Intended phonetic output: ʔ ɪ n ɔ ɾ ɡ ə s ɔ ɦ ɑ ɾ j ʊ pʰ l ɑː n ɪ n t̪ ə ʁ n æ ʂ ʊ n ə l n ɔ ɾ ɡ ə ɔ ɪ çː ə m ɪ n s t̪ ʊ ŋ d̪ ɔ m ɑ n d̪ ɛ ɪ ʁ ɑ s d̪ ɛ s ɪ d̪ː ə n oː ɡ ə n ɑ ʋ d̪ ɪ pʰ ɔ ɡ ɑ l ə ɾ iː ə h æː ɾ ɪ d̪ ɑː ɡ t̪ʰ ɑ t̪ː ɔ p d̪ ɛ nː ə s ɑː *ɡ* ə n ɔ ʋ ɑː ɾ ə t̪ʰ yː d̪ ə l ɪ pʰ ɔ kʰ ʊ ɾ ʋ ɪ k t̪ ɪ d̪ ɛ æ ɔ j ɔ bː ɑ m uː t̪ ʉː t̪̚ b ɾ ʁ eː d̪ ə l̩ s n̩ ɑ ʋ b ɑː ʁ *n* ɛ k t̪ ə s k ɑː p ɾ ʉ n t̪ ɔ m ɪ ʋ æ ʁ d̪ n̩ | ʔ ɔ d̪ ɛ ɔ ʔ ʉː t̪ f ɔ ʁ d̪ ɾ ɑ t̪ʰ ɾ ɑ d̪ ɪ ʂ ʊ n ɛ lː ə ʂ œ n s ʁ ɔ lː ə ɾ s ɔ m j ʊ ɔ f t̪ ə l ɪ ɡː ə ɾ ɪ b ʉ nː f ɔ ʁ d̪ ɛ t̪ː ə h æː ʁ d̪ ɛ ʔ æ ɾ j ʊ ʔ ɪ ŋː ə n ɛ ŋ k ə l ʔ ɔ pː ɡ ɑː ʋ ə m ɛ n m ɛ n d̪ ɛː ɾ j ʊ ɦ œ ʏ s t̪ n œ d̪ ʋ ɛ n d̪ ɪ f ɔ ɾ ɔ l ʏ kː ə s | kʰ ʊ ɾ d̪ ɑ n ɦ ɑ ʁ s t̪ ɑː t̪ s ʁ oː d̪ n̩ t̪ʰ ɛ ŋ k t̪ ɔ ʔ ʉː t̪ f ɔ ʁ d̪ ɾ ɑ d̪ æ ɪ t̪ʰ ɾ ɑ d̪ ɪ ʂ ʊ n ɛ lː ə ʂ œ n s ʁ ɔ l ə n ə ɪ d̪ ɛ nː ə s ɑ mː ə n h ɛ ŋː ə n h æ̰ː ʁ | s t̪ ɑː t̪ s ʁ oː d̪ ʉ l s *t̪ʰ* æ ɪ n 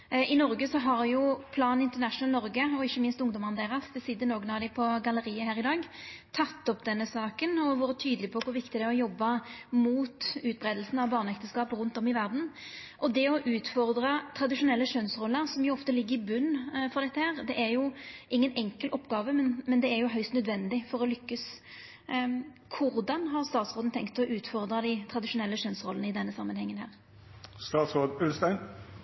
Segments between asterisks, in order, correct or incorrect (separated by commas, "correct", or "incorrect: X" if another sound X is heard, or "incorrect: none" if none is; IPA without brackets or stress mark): incorrect: k, correct, incorrect: t̪